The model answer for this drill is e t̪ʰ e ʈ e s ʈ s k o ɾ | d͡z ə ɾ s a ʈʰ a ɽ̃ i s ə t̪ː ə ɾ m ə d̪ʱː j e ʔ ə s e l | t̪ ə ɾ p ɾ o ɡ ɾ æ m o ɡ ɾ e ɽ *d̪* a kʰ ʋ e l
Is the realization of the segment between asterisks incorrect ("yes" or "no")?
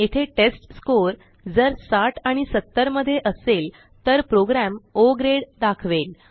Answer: no